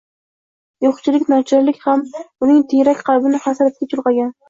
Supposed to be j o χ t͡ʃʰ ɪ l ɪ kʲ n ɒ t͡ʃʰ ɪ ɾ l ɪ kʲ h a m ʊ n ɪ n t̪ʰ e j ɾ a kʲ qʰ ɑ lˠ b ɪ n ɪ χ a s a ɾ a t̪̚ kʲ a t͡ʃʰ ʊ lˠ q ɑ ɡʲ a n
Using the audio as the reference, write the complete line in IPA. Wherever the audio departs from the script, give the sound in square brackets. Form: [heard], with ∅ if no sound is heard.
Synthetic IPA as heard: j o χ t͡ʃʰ ɪ l ɪ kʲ n ɒ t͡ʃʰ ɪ ɾ l ɪ kʲ h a m ʊ n ɪ [ŋ] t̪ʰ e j ɾ a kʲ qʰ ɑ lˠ b ɪ n ɪ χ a s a ɾ a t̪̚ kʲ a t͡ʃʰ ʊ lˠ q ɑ ɡʲ a n